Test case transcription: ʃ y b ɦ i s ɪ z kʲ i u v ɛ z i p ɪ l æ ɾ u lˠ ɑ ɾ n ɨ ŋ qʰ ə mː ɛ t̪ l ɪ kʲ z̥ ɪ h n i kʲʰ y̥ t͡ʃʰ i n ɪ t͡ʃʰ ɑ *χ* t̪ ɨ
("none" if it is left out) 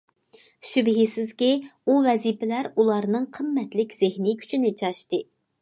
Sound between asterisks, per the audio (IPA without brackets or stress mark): ʃ